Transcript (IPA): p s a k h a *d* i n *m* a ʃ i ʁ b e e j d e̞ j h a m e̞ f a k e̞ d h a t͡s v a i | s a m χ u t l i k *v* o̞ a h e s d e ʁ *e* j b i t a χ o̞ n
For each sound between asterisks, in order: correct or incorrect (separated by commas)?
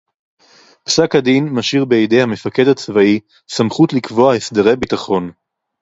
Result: correct, correct, correct, correct